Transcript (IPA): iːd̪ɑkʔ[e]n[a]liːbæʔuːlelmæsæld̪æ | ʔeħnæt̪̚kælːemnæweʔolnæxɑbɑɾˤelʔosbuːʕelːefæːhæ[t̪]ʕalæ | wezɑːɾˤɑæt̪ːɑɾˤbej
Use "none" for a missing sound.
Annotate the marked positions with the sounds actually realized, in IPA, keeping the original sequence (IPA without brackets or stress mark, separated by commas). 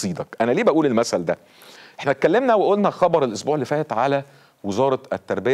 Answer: æ, æ, t̪